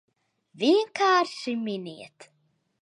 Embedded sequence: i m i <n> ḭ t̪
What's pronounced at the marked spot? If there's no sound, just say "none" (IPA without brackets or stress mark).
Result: n